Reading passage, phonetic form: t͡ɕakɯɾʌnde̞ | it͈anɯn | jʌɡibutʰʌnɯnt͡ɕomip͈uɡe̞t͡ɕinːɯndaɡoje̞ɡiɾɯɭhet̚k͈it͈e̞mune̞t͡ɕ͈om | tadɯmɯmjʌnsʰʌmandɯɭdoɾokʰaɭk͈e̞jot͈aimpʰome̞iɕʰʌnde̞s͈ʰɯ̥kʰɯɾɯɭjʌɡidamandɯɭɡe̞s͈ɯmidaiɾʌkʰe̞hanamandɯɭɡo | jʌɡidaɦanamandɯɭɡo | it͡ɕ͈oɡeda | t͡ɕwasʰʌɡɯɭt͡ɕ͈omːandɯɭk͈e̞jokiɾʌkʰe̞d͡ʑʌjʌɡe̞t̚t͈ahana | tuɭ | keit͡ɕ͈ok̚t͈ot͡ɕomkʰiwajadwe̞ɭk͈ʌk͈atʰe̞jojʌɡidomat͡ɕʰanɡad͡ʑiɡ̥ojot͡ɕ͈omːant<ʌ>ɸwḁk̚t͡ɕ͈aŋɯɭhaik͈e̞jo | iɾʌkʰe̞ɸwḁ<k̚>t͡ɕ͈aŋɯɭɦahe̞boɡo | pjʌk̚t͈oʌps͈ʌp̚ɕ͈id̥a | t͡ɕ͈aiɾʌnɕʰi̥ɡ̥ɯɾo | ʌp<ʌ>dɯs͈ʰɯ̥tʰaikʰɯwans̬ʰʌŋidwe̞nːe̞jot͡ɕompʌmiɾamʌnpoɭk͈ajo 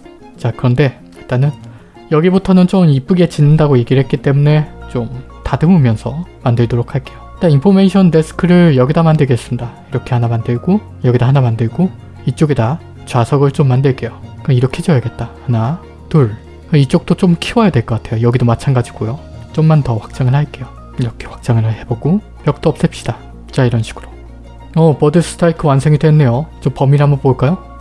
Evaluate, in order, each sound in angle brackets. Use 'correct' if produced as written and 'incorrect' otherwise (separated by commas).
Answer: correct, correct, correct